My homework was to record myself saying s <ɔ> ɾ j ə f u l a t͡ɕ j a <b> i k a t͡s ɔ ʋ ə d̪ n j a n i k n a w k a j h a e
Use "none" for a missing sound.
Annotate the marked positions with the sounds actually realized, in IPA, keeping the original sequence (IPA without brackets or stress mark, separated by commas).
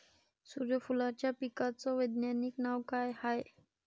u, p